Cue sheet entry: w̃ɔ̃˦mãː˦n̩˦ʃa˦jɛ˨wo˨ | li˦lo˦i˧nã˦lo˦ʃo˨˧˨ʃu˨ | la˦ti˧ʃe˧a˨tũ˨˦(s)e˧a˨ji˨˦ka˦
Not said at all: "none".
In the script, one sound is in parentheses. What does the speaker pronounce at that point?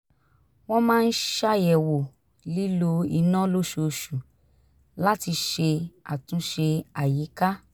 ʃ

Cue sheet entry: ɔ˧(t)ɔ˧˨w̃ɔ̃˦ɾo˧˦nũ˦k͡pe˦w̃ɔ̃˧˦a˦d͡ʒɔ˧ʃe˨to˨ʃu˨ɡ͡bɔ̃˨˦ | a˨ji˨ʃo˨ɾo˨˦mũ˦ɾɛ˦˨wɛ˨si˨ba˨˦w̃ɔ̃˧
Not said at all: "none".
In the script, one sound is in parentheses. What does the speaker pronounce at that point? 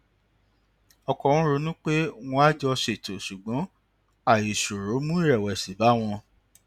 k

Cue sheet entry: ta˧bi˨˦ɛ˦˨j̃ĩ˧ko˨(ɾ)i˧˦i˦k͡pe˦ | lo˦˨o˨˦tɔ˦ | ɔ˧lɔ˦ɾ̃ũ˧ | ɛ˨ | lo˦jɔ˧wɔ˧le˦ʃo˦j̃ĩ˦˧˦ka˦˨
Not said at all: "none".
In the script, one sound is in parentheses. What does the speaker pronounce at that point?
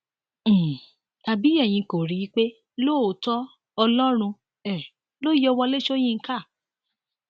ɾ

